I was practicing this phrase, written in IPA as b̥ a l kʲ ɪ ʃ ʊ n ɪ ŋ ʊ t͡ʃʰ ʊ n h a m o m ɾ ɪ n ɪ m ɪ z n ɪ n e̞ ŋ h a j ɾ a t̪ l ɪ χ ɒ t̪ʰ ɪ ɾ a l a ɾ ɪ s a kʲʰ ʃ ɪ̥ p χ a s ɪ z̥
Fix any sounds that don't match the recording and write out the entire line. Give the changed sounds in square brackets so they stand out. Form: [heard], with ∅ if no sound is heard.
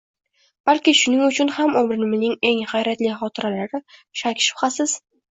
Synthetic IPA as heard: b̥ a l kʲ ɪ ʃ ʊ n ɪ ŋ ʊ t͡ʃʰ ʊ n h a m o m ɾ ɪ n ɪ m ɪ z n ɪ [ŋ] e̞ ŋ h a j ɾ a t̪ l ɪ χ ɒ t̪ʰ ɪ ɾ a l a ɾ ɪ [ʃ] a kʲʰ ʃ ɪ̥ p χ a s ɪ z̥